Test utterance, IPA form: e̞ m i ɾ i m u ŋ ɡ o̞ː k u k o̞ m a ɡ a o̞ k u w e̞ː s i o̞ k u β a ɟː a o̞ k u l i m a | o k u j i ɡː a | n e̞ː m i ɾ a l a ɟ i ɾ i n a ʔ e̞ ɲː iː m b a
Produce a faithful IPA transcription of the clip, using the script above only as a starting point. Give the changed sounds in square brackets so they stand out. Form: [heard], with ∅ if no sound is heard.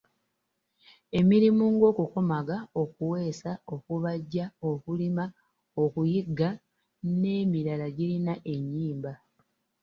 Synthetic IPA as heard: e̞ m i ɾ i m u ŋ ɡ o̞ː k u k o̞ m a ɡ a o̞ k u w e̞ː s [a] o̞ k u β a ɟː a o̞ k u l i m a | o k u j i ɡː a | n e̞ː m i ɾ a l a ɟ i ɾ i n a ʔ e̞ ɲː iː m b a